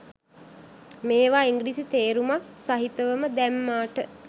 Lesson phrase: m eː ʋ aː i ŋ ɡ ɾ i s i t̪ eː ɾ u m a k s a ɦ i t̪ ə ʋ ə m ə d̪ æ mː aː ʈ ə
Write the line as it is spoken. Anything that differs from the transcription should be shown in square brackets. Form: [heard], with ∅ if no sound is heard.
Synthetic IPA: m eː ʋ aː i ŋ ɡ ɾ i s i t̪ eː ɾ u m a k s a ɦ i t̪ ə ʋ ə m ə d̪ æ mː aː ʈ ə